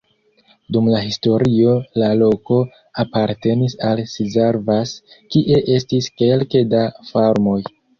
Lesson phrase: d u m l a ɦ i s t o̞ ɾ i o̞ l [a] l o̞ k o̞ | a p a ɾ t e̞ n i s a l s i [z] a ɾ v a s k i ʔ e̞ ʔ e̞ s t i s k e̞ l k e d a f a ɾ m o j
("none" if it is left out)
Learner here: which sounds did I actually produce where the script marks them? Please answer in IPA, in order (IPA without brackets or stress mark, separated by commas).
a, z